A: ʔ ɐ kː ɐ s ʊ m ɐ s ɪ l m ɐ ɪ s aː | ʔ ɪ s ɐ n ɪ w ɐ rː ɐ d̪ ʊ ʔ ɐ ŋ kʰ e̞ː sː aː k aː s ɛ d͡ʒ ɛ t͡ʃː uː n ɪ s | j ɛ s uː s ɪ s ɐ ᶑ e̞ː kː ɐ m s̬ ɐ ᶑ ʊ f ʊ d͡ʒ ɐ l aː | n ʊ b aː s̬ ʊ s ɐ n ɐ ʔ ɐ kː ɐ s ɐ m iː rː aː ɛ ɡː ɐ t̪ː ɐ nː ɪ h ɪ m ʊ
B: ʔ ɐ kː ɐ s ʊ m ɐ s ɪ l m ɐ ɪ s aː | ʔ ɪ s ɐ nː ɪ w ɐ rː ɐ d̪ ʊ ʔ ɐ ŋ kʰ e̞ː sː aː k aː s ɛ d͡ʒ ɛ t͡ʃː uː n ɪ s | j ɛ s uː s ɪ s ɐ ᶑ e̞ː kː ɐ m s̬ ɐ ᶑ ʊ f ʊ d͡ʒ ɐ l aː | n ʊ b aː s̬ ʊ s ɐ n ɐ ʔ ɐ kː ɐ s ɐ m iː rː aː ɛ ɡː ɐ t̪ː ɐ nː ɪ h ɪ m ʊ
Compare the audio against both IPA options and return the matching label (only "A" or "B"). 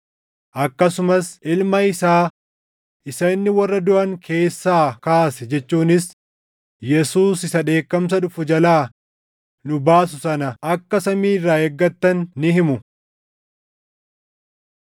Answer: B